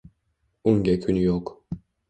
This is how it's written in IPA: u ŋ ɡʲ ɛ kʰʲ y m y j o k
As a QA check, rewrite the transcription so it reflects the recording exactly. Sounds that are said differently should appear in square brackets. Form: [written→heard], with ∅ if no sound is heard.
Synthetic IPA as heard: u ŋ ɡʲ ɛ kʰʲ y [m→n] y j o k